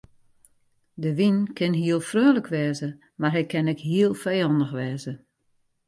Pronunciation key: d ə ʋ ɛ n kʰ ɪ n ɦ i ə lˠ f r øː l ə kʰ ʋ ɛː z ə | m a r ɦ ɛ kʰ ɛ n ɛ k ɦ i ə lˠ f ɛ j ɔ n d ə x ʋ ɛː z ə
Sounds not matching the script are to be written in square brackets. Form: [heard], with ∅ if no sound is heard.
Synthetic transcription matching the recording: d ə ʋ [i] n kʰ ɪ n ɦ i ə lˠ f r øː l ə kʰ ʋ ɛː z ə | m a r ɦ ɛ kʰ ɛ n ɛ k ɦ i ə lˠ f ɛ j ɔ n d ə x ʋ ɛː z ə

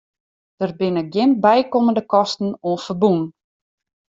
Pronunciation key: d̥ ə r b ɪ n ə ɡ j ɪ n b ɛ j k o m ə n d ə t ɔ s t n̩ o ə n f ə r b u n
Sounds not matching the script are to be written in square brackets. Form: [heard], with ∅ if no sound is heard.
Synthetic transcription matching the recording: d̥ ə r b ɪ n ə ɡ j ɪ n b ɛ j k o m ə n d ə [k] ɔ s t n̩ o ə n f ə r b u n

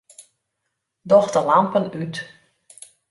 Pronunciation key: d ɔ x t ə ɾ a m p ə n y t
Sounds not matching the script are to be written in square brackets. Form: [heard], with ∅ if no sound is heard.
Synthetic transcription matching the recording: d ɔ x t ə [l] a m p ə n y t

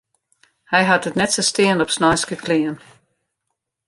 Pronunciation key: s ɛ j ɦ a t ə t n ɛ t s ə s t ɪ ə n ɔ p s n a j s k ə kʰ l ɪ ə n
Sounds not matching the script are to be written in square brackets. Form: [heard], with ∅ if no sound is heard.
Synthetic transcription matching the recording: [h] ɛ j ɦ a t ə t n ɛ t s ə s t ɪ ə n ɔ p s n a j s k ə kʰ l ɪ ə n

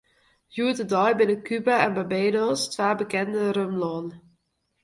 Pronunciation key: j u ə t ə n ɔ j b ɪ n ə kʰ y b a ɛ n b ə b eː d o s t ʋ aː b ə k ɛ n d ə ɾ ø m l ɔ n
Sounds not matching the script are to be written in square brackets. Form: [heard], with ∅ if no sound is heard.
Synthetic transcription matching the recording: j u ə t ə [d] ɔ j b ɪ n ə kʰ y b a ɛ n b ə b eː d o s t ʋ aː b ə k ɛ n d ə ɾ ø m l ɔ n

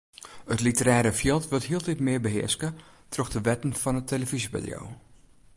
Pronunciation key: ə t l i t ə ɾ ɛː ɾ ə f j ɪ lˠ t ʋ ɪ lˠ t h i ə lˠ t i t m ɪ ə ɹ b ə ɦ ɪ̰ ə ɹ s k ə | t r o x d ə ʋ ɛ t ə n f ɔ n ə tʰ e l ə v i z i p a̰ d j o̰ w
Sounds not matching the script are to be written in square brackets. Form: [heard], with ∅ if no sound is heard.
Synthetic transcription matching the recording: ə t l i t ə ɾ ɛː ɾ ə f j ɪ lˠ t ʋ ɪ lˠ t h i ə lˠ t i t m ɪ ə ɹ b ə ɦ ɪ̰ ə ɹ s k ə | t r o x d ə ʋ ɛ t ə n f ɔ n ə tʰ e l ə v i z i p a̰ d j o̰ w

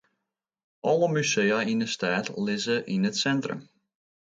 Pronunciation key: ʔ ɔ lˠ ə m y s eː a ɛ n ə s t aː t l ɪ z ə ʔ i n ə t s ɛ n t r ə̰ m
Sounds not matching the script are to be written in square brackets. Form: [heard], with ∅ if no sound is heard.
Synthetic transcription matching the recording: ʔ ɔ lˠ ə m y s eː a [i] n ə s t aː t l ɪ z ə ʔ i n ə t s ɛ n t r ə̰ m

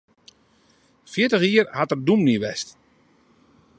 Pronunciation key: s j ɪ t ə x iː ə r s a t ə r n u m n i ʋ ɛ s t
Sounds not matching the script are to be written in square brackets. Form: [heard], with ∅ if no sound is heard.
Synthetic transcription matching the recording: [f] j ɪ t ə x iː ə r [h] a t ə r [d] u m n i ʋ ɛ s t

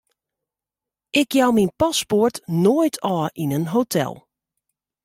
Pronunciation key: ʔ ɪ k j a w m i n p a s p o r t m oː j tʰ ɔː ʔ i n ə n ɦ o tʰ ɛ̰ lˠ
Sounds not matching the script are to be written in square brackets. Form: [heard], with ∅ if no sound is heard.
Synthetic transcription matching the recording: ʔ ɪ k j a w m i n p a s p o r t [n] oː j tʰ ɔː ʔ i n ə n ɦ o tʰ ɛ̰ lˠ

